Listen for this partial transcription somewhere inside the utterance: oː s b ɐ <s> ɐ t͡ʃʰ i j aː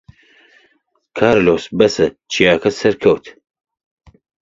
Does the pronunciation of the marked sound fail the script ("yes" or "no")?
no